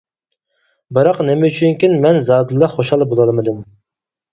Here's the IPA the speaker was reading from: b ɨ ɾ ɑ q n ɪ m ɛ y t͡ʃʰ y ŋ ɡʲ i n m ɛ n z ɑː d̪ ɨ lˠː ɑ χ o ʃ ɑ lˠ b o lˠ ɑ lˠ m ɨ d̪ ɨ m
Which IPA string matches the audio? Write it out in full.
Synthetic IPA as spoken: b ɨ ɾ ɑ q n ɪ m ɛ y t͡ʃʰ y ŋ kʲ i n m ɛ n z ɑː d̪ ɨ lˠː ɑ χ o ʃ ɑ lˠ b o lˠ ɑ lˠ m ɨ d̪ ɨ m